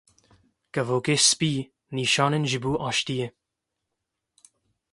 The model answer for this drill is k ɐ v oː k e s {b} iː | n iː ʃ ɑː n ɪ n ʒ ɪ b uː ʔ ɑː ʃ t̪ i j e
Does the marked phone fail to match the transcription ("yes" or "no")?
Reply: yes